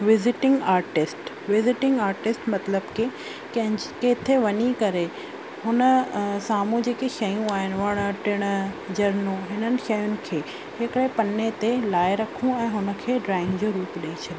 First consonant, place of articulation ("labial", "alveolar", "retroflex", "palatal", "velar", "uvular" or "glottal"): labial